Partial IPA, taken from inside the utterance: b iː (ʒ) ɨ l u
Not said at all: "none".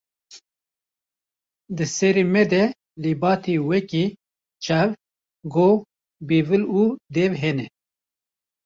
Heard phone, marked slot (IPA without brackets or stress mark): v